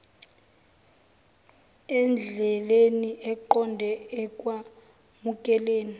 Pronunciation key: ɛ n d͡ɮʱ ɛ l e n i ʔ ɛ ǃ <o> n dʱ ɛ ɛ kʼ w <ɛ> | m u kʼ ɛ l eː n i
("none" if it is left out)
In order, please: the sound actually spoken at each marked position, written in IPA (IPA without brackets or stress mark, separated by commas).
ɔ, a